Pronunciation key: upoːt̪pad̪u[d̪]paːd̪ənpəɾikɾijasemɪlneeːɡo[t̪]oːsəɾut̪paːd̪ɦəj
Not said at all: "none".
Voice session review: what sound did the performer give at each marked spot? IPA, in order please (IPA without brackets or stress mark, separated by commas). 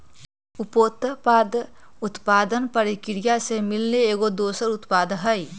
t̪, d̪